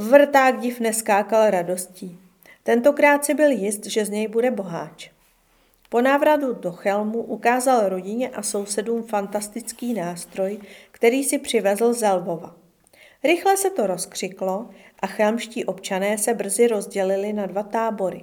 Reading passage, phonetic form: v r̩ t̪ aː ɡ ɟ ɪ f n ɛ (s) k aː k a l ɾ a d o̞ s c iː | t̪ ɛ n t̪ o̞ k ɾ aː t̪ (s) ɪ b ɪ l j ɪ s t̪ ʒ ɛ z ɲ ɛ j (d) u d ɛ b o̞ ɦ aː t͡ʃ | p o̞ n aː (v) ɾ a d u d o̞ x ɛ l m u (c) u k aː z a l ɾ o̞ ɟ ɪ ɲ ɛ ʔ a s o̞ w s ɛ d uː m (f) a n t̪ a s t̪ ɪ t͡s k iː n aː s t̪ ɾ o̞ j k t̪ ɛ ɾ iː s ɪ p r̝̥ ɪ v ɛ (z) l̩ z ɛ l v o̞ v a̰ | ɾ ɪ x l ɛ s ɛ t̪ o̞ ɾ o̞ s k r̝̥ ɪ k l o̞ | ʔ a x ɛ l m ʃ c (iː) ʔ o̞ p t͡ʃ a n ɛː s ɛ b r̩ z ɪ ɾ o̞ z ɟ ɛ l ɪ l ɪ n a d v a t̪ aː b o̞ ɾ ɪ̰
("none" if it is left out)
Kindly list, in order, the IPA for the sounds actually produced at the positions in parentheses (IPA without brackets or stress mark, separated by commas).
s, s, b, v, ʔ, f, z, iː